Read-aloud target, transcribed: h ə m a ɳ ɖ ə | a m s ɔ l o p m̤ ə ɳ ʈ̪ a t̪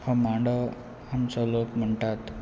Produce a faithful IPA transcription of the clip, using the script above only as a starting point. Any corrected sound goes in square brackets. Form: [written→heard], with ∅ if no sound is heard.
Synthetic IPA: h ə m a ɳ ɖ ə | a m s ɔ l o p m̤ ə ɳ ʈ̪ a t̪

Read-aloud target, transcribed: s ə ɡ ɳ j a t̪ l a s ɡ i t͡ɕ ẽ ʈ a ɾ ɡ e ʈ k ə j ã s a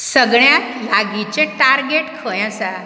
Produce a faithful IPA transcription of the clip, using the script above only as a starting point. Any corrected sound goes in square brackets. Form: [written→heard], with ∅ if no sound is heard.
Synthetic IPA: s ə ɡ ɳ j a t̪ l a [s→∅] ɡ i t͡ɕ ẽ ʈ a ɾ ɡ e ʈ [k→kʰ] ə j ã s a

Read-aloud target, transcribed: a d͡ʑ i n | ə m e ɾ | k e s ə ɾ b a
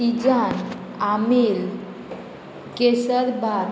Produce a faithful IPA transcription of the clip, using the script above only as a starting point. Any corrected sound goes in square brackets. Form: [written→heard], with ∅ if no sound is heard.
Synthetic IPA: [a→i] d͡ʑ [i→a] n | [ə→a] m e [ɾ→l] | k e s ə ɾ b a

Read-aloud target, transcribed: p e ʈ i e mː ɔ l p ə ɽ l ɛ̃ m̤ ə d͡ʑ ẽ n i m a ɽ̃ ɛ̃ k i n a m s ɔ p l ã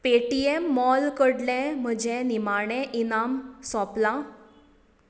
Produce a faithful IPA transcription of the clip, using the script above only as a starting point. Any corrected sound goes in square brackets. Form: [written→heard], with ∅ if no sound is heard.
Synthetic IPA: p e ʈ i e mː ɔ l [p→k] ə ɽ l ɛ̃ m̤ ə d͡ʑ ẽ n i m a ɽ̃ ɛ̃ [k→ʔ] i n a m s ɔ p l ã

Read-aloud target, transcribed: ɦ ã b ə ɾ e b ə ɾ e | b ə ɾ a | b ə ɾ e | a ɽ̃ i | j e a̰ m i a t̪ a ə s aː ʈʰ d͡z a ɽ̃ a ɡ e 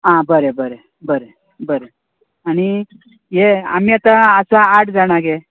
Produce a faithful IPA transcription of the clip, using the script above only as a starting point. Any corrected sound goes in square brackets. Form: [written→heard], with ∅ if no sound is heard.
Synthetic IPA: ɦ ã b ə ɾ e b ə ɾ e | b ə ɾ [a→e] | b ə ɾ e | a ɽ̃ i | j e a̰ m i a t̪ a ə s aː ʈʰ d͡z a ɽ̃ a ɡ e

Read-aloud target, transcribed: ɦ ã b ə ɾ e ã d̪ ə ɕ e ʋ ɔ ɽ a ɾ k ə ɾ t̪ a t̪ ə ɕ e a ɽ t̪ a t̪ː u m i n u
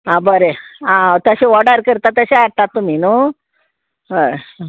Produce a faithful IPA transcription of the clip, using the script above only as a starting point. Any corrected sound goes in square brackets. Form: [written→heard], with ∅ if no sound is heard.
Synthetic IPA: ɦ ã b ə ɾ e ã [d̪→t̪] ə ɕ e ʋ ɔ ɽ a ɾ k ə ɾ t̪ a t̪ ə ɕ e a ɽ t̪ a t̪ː u m i n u

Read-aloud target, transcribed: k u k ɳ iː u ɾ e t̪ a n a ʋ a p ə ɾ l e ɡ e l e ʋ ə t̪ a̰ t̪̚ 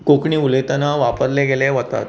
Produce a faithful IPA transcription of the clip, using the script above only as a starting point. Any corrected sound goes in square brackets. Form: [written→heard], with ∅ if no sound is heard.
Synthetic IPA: k [u→o] k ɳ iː u [ɾ→l] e t̪ a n a ʋ a p ə ɾ l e ɡ e l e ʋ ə t̪ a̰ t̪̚

